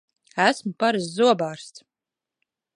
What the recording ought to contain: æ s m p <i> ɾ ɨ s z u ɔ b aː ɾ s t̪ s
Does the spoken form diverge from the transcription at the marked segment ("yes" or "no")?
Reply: yes